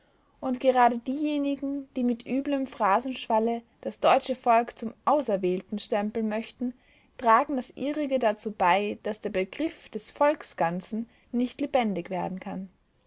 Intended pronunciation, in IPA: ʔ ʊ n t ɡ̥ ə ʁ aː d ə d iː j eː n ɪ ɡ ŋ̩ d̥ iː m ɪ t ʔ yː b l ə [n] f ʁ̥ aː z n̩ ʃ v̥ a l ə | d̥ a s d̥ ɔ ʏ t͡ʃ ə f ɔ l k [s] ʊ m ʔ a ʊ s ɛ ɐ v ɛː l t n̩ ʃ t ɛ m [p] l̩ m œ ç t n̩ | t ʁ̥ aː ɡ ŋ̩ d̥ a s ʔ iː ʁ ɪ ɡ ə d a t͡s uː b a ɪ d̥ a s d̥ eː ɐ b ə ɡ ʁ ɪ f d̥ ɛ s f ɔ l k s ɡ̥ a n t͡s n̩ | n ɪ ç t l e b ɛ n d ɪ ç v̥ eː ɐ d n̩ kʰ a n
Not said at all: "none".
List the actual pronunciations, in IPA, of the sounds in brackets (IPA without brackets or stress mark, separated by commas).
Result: m, t͡s, p